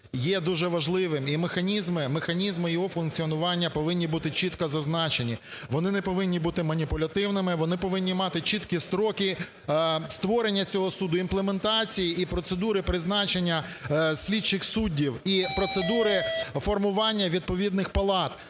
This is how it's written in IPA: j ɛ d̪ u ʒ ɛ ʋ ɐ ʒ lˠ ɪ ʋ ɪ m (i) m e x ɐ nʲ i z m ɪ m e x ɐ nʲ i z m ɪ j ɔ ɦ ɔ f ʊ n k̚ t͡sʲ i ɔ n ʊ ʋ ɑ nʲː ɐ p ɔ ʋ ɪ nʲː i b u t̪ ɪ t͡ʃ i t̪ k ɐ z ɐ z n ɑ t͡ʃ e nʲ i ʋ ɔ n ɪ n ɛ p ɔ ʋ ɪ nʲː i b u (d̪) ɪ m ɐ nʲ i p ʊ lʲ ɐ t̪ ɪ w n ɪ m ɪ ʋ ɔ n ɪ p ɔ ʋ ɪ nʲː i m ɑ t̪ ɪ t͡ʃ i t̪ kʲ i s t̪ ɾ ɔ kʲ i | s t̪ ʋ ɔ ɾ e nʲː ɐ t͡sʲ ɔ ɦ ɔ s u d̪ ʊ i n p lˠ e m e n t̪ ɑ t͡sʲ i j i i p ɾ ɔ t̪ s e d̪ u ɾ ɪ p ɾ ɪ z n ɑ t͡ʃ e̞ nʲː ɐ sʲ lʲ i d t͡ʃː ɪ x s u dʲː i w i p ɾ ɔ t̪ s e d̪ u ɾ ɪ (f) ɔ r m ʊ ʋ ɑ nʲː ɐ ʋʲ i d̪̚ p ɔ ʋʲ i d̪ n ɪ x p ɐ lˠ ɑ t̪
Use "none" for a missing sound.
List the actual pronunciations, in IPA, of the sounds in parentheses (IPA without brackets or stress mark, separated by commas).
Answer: i, t̪, f